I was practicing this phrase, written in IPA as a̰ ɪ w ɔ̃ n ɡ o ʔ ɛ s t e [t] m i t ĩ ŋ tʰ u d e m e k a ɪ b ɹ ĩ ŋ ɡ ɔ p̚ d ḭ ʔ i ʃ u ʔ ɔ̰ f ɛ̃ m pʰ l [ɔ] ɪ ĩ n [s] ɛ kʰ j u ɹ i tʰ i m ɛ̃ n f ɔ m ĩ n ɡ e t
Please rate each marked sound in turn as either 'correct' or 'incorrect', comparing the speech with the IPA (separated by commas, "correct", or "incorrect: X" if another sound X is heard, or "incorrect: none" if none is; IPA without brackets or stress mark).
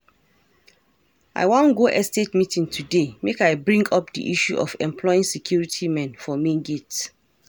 correct, correct, correct